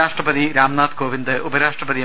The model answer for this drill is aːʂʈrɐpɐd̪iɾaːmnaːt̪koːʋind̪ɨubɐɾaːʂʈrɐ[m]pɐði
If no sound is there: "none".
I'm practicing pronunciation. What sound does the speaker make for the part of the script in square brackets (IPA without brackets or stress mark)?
none